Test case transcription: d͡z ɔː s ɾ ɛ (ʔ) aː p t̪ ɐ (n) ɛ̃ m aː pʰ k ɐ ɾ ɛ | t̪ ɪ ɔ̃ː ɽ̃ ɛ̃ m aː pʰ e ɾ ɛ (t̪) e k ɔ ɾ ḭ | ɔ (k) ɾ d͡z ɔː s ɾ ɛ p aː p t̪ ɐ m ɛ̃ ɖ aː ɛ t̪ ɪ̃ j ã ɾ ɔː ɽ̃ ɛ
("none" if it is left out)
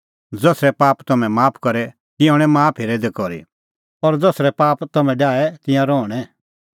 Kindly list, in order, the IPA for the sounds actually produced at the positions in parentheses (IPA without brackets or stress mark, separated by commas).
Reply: p, m, d̪, none